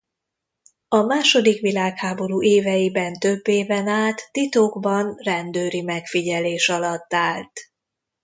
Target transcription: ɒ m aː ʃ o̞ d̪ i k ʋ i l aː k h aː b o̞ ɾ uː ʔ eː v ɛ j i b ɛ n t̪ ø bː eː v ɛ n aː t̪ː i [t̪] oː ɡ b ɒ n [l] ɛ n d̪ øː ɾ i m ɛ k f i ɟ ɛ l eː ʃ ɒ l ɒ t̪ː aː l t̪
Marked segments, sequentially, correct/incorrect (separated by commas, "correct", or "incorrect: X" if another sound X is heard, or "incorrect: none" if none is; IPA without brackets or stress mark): correct, incorrect: r